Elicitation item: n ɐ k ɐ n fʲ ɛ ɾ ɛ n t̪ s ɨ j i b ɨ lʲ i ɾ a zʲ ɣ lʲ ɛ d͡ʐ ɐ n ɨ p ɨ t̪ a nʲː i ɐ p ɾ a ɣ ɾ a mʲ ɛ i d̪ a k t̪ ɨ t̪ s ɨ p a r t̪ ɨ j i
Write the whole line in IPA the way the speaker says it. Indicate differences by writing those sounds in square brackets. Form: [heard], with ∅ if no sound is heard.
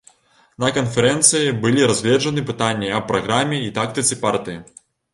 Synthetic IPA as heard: n ɐ k ɐ n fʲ ɛ ɾ ɛ n t̪ s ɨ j i b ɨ lʲ i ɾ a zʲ ɣ lʲ ɛ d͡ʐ ɐ n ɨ p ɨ t̪ a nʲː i ɐ p ɾ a ɣ ɾ a mʲ ɛ i [t̪] a k t̪ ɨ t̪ s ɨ p a r t̪ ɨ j i